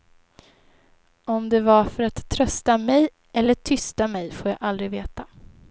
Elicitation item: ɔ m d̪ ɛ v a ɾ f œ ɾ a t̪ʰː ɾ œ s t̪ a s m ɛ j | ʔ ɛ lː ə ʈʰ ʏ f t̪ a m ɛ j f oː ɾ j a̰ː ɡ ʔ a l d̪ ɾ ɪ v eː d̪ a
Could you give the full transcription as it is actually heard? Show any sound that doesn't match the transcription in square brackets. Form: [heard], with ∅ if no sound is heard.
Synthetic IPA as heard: ɔ m d̪ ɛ v a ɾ f œ ɾ a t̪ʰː ɾ œ s t̪ a [∅] m ɛ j | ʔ ɛ lː ə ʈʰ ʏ [s] t̪ a m ɛ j f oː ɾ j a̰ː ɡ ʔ a l d̪ ɾ ɪ v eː [t̪] a